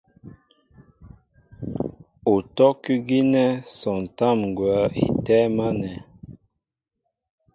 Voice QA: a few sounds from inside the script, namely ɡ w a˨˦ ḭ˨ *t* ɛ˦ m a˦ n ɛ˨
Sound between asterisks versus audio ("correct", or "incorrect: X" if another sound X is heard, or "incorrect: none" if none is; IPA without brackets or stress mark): correct